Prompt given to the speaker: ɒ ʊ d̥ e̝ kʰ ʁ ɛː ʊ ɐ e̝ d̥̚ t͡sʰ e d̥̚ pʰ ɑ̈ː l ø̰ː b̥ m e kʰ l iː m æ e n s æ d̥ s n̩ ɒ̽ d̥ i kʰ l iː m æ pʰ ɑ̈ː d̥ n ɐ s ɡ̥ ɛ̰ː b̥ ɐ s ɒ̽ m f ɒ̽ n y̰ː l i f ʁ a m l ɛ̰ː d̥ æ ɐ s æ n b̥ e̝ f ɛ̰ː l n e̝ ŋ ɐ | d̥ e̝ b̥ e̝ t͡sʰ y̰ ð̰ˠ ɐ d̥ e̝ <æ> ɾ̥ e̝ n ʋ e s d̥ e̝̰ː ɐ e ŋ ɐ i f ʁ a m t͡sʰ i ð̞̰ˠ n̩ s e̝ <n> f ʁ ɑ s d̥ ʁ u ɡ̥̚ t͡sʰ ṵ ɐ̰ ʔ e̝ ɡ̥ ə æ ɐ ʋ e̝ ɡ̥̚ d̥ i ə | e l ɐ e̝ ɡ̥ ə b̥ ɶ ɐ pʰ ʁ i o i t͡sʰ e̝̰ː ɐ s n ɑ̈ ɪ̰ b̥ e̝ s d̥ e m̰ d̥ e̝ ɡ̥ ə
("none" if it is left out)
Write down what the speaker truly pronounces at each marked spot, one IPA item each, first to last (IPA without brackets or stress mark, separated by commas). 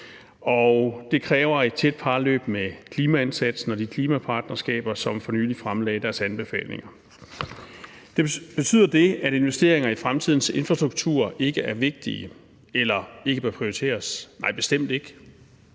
æ, n